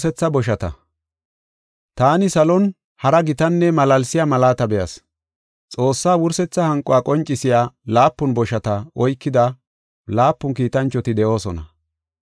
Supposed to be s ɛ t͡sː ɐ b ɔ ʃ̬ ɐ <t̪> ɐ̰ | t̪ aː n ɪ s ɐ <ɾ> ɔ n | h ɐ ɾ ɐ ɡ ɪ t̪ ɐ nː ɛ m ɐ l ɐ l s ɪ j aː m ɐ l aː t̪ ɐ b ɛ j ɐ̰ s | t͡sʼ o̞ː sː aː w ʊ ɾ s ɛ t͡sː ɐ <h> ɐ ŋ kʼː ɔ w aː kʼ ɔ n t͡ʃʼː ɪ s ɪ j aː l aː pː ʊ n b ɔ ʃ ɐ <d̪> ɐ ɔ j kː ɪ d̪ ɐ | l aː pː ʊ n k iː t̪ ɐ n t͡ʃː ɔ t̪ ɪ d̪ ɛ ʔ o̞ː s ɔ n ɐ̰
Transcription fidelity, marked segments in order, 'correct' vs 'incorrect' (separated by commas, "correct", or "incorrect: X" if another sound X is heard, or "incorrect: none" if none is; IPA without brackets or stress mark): correct, incorrect: l, correct, incorrect: t̪